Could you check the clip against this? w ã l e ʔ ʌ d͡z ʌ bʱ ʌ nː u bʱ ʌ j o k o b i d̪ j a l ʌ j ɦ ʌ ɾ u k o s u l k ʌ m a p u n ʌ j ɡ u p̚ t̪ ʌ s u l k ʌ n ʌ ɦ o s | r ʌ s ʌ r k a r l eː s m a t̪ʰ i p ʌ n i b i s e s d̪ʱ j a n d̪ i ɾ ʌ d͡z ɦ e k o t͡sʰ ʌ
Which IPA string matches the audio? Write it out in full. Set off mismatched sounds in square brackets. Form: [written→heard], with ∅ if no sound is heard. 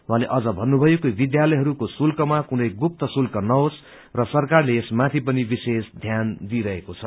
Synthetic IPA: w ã l e ʔ ʌ d͡z ʌ bʱ ʌ nː u bʱ ʌ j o k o b i d̪ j a l ʌ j ɦ ʌ ɾ u k o s u l k ʌ m a [p→k] u n ʌ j ɡ u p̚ t̪ ʌ s u l k ʌ n ʌ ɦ o s | r ʌ s ʌ r k a r l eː s m a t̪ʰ i p ʌ n i b i s e s d̪ʱ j a n d̪ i ɾ ʌ [d͡z→∅] ɦ e k o t͡sʰ ʌ